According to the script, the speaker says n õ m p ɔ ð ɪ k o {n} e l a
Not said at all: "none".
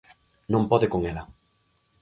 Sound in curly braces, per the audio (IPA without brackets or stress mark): ŋ